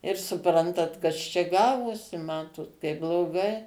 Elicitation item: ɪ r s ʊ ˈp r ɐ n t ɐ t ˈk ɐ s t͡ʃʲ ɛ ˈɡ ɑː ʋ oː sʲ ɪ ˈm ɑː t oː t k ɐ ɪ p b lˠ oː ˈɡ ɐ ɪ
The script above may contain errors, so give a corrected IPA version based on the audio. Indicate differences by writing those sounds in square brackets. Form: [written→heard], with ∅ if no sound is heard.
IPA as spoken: ɪ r s ʊ ˈp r ɐ n t ɐ t ˈk ɐ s t͡ʃʲ ɛ ˈɡ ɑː ʋ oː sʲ ɪ ˈm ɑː t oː t k ɐ ɪ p b lˠ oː ˈɡ ɐ ɪ